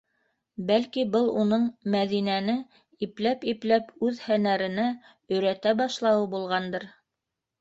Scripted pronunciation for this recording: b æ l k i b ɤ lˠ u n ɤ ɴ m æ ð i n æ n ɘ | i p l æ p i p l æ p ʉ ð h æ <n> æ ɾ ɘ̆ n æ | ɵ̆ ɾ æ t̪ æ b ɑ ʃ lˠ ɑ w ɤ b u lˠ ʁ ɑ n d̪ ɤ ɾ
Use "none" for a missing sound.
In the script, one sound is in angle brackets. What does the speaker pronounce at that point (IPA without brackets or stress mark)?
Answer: n